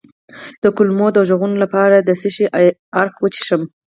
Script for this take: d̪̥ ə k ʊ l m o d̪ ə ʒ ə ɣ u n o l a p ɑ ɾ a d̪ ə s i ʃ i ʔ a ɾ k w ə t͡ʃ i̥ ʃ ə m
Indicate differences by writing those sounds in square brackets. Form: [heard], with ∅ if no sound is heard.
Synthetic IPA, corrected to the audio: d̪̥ ə k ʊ l m o d̪ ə ʒ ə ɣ u n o l a p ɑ ɾ a d̪ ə s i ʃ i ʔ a ɾ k w ə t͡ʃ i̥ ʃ ə m